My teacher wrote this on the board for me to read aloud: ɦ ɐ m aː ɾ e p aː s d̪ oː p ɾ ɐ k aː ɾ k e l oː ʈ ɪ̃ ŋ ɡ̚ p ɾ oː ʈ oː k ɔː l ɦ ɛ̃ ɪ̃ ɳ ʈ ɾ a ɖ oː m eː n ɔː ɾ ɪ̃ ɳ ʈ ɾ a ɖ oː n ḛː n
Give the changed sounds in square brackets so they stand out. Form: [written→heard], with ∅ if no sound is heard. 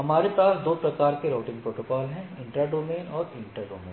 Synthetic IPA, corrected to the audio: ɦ ɐ m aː ɾ e p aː s d̪ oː p ɾ ɐ k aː ɾ k e [l→ɾ] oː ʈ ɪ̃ ŋ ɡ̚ p ɾ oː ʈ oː k ɔː l ɦ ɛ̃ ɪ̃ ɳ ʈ ɾ a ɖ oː m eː n ɔː ɾ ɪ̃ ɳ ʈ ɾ a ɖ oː [n→m] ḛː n